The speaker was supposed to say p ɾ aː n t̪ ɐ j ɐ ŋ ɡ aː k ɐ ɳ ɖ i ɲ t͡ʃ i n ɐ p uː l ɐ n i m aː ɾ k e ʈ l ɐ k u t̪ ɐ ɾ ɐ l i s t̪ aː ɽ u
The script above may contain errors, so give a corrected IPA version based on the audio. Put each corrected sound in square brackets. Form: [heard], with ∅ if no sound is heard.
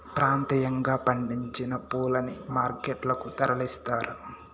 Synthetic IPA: p ɾ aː n t̪ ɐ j ɐ ŋ ɡ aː [p] ɐ ɳ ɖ i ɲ t͡ʃ i n ɐ p uː l ɐ n i m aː ɾ k e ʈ l ɐ k u t̪ ɐ ɾ ɐ l i s t̪ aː [ɾ] u